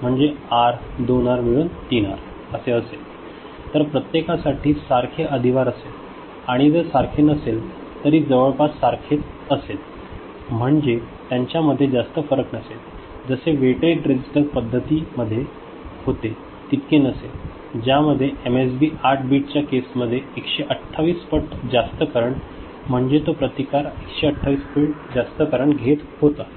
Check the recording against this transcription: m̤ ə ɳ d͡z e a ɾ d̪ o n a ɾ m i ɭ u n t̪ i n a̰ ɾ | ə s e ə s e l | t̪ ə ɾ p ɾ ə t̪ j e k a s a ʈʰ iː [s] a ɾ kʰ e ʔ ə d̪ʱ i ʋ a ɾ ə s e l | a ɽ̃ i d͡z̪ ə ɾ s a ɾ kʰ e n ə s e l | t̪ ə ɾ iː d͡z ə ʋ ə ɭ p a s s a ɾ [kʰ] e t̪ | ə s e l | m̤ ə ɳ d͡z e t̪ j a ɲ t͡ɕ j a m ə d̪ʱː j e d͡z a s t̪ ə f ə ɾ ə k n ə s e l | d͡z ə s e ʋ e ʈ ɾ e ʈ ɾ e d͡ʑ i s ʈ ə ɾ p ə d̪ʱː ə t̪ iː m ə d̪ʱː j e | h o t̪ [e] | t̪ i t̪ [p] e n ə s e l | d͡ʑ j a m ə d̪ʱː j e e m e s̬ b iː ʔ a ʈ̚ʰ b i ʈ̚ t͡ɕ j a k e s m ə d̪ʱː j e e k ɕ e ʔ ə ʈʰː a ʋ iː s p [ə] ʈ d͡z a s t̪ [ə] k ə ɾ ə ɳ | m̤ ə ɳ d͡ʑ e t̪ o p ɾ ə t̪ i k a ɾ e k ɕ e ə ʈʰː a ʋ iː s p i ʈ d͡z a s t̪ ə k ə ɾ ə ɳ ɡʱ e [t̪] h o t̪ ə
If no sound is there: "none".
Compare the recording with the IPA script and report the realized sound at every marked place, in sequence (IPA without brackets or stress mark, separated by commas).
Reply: s, kʰ, e, k, ə, ə, t̪